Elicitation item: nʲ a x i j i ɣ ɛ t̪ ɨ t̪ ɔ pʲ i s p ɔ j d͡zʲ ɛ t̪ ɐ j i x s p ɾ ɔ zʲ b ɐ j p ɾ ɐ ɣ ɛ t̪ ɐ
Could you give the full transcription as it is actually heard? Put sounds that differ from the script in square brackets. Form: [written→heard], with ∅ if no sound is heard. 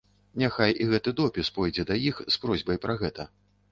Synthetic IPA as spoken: nʲ a x [i→a] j i ɣ ɛ t̪ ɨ [t̪→d̪] ɔ pʲ i s p ɔ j d͡zʲ ɛ [t̪→d̪] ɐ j i x s p ɾ ɔ zʲ b ɐ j p ɾ ɐ ɣ ɛ t̪ ɐ